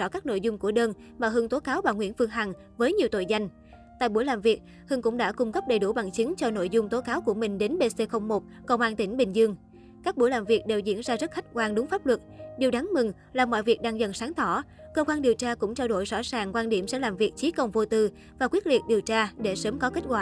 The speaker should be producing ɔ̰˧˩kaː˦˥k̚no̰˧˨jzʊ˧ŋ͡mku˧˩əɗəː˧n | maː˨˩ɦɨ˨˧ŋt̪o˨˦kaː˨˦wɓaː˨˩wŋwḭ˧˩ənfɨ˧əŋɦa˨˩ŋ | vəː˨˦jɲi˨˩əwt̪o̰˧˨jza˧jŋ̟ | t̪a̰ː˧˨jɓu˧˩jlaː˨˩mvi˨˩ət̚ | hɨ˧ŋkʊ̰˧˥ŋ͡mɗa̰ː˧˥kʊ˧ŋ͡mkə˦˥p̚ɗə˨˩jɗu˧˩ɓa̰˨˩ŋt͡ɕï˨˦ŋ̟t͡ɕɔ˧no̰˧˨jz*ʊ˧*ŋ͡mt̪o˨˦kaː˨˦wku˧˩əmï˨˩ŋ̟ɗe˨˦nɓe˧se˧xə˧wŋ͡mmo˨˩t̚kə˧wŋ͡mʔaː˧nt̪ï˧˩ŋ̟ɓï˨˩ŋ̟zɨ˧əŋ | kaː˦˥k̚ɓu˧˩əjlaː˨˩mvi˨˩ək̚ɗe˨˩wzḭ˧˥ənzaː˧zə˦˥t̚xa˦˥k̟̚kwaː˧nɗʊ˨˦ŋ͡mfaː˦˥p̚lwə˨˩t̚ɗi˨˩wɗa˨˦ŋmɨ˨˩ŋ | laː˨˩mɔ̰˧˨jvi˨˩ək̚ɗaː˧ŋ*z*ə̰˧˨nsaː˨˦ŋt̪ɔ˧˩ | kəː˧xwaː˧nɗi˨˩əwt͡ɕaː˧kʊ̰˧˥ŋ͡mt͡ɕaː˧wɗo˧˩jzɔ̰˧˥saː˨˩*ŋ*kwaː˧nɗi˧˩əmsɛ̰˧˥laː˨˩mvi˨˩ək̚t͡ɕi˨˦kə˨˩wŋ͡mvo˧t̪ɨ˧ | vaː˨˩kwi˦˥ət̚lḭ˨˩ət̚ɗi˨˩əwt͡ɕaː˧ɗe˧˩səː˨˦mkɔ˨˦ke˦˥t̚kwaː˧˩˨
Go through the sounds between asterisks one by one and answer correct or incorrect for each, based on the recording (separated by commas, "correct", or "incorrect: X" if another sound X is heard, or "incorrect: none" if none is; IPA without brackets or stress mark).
correct, correct, correct